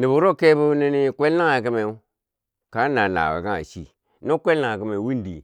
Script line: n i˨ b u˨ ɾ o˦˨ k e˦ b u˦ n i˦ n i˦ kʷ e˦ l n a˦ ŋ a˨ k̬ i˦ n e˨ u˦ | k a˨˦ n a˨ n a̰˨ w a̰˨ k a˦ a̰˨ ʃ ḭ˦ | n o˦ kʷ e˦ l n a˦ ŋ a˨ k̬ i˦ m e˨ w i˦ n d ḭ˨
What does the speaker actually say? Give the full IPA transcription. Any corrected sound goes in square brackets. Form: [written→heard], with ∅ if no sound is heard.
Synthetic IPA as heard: n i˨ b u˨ ɾ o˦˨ k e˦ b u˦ n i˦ n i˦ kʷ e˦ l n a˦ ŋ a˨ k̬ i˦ [n→m] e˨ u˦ | k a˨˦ n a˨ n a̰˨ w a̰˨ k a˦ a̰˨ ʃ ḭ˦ | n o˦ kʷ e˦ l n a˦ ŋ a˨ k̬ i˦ m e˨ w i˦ n d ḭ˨